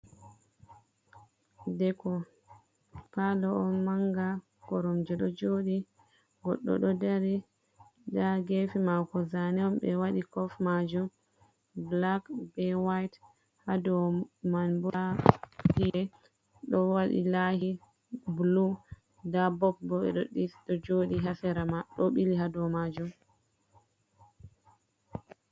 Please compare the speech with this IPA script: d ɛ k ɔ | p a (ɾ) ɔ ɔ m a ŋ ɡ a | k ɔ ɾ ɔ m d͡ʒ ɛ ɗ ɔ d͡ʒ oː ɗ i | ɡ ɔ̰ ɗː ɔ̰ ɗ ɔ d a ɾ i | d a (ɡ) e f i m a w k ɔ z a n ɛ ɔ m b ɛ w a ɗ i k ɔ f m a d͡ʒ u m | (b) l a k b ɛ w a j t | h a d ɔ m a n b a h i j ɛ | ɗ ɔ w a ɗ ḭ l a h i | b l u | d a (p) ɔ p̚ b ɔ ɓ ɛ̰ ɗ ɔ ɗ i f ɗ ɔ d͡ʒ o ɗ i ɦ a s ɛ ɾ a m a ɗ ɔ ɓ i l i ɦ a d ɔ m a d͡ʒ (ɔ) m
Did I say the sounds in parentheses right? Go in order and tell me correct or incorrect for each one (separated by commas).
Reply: incorrect, correct, correct, incorrect, incorrect